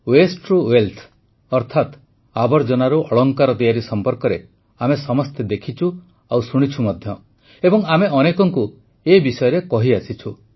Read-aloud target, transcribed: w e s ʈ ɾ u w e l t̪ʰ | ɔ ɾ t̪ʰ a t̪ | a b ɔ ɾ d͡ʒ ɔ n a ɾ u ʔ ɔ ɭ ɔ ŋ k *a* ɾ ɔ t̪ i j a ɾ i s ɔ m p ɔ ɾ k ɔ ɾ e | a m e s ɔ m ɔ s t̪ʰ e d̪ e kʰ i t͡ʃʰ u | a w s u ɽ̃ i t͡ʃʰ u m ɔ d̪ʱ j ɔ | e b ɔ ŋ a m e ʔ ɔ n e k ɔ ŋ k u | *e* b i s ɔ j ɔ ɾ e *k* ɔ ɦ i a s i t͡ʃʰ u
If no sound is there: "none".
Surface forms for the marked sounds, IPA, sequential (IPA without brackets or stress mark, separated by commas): a, e, k